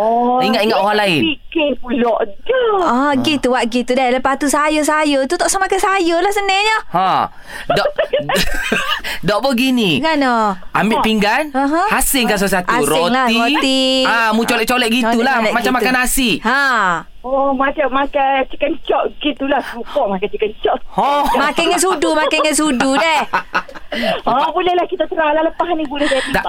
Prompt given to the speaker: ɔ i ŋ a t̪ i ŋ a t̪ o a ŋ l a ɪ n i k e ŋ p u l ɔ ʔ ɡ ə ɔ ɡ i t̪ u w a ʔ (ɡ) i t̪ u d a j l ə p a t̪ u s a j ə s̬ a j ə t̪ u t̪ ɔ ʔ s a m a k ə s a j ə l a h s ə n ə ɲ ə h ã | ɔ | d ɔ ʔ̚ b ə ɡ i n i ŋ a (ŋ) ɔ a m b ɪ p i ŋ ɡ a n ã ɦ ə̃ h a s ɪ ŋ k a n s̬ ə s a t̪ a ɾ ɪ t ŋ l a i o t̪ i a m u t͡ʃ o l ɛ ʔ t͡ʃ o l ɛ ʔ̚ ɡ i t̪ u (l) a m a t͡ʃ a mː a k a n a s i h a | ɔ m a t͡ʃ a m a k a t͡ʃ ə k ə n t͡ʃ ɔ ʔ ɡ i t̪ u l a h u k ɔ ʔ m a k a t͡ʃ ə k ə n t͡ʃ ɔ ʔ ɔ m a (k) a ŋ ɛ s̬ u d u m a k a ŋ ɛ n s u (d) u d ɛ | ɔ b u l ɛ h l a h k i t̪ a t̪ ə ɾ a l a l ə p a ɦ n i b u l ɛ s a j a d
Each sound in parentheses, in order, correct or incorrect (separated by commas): correct, incorrect, correct, correct, correct